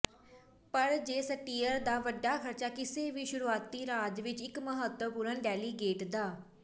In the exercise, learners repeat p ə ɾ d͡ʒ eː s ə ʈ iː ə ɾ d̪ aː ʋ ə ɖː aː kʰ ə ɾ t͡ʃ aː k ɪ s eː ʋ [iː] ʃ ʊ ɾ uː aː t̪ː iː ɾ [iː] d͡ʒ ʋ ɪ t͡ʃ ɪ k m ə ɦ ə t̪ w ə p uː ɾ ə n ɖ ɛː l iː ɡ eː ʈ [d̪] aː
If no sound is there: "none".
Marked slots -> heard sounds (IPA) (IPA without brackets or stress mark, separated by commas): iː, aː, d̪